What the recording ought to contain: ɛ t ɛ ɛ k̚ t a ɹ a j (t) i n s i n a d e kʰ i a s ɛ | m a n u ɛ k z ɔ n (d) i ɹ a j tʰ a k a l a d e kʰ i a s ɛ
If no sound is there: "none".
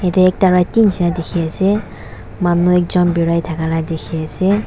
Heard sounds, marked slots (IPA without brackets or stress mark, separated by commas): t, b